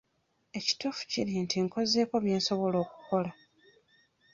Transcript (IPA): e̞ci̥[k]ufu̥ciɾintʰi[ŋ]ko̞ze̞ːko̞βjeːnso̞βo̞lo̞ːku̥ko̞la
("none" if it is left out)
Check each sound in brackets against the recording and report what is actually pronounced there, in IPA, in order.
t, ŋ

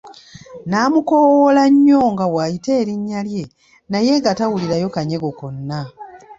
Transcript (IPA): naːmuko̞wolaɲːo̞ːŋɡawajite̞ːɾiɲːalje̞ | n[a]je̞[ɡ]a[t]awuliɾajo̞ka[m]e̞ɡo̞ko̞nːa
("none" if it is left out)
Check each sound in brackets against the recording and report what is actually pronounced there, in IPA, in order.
a, ɡ, t, ɲ

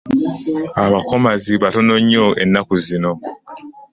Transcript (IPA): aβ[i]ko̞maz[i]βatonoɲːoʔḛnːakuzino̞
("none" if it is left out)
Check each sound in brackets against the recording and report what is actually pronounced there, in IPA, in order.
a, i

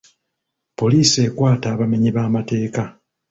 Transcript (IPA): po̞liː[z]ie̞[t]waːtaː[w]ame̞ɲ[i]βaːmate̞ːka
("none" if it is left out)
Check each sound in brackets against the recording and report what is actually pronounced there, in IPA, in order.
s, k, β, i

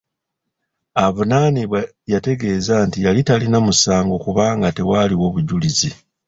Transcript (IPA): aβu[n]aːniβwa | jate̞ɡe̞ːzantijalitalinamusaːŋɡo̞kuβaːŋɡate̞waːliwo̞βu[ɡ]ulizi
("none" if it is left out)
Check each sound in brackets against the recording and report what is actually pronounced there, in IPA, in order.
n, ɟ

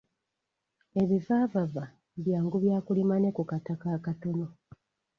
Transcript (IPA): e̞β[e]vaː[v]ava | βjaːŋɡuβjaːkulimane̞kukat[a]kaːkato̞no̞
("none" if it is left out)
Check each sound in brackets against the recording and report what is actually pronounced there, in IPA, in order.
i, v, a

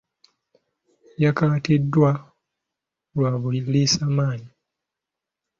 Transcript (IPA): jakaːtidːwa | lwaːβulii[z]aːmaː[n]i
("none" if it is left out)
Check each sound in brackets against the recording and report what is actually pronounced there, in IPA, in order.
s, ɲ

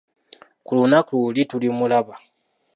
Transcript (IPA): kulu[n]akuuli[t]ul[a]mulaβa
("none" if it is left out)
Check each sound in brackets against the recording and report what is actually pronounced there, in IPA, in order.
n, t, i

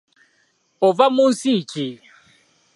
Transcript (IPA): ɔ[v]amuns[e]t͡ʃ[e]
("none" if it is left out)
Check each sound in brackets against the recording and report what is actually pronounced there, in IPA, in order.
v, i, i

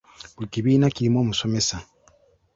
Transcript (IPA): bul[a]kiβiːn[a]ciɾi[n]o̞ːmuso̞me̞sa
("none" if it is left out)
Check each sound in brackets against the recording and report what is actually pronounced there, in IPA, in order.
i, a, m

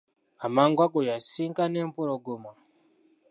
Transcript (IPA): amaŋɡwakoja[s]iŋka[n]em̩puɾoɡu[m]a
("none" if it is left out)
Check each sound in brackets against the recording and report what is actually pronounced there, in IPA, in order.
s, n, m

